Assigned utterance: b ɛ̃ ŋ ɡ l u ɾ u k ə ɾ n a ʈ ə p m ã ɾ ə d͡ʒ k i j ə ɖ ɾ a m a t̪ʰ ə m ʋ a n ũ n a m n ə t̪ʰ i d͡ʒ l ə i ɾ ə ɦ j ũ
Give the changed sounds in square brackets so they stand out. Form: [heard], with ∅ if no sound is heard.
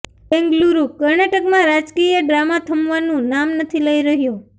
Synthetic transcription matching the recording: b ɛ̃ ŋ ɡ l u ɾ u k ə ɾ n a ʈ ə [k] m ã ɾ [a] d͡ʒ k i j ə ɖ ɾ a m a t̪ʰ ə m ʋ a n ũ n a m n ə t̪ʰ i [∅] l ə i ɾ ə ɦ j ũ